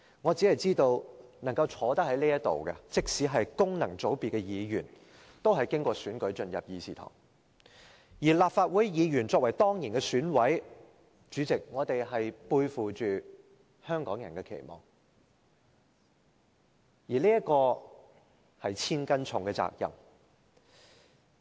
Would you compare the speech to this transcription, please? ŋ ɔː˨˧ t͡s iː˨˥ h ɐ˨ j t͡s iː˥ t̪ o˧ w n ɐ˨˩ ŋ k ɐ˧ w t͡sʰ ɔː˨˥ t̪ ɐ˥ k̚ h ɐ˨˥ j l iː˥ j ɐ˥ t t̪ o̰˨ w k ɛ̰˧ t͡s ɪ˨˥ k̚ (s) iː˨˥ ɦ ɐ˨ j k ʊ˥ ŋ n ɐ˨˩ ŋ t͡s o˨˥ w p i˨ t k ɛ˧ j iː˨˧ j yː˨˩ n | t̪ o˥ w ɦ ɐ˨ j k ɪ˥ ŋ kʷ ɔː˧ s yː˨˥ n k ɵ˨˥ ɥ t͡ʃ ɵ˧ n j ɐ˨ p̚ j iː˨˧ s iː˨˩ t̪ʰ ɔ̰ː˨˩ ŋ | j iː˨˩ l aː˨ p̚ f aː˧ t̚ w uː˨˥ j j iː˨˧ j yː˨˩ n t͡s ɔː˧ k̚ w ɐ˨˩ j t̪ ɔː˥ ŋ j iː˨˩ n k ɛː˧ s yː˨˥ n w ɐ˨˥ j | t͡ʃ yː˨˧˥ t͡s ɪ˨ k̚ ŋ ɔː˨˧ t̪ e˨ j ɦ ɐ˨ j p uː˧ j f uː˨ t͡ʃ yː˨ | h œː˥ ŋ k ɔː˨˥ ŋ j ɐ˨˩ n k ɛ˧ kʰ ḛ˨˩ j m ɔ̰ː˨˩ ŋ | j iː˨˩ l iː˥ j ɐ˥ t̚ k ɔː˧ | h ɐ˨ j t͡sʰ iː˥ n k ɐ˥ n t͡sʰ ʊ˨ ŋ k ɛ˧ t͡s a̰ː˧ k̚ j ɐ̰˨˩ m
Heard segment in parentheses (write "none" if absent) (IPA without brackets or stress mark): s